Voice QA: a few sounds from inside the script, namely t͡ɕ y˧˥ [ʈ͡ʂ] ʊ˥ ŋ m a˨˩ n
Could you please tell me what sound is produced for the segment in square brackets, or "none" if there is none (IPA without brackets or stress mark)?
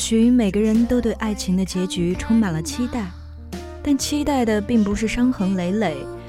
ʈ͡ʂʰ